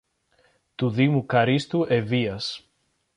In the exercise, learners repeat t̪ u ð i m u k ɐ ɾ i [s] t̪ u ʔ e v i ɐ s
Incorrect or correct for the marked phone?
correct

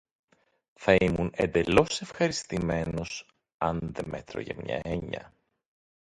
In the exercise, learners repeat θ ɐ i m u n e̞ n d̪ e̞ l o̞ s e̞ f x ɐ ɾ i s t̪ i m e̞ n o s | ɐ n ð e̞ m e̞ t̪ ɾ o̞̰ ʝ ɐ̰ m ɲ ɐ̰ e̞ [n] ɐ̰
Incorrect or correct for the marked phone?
incorrect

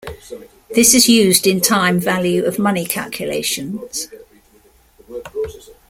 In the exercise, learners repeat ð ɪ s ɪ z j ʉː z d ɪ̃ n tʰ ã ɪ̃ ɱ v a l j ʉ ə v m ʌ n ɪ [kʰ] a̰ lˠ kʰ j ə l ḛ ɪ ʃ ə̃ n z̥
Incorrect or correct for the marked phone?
correct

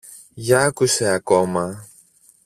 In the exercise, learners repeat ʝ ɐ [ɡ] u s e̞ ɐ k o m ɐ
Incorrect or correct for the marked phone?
incorrect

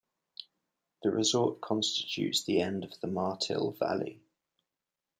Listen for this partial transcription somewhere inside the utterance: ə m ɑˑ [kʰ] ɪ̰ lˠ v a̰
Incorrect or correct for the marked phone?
incorrect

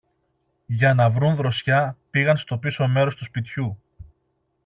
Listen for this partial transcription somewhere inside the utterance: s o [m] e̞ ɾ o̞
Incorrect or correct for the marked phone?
correct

